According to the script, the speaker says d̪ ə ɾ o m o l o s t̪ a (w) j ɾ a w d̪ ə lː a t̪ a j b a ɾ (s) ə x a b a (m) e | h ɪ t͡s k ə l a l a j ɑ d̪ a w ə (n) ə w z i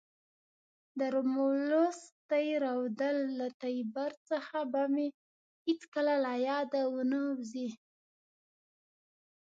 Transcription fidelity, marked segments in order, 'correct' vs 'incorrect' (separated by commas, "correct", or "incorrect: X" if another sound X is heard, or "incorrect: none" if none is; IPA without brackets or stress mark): incorrect: none, incorrect: t͡s, correct, correct